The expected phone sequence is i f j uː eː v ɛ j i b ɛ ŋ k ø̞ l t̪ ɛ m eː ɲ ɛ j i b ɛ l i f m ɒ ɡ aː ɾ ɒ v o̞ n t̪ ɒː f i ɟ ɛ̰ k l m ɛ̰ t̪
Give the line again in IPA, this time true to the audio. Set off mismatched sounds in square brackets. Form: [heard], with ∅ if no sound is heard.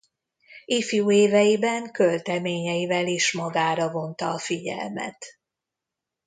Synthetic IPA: i f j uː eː v ɛ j i b ɛ ŋ k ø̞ l t̪ ɛ m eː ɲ ɛ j i [v] ɛ l i [ʃ] m ɒ ɡ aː ɾ ɒ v o̞ n t̪ ɒː f i ɟ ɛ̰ [∅] l m ɛ̰ t̪